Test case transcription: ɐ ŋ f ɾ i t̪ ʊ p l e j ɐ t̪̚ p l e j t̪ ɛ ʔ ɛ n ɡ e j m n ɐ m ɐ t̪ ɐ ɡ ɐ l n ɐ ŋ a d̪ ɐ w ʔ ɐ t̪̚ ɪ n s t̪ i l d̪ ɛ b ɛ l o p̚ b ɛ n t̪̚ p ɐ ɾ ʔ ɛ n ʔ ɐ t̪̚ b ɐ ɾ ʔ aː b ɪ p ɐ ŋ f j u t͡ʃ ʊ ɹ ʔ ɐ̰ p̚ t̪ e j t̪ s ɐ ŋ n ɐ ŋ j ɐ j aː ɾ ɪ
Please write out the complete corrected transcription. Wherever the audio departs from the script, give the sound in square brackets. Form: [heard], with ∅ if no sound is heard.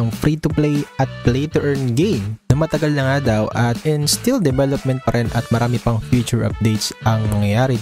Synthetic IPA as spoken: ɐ ŋ f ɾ i t̪ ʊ p l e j ɐ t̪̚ p l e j t̪ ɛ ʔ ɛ n ɡ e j m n ɐ m ɐ t̪ ɐ ɡ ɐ l n ɐ ŋ a d̪ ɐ w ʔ ɐ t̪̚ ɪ n s t̪ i l d̪ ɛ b ɛ l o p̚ [m] ɛ n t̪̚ p ɐ ɾ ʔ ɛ n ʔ ɐ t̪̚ [m] ɐ ɾ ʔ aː [m] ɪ p ɐ ŋ f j u t͡ʃ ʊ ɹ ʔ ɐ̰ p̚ [d̪] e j t̪ s ɐ ŋ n ɐ ŋ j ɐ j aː ɾ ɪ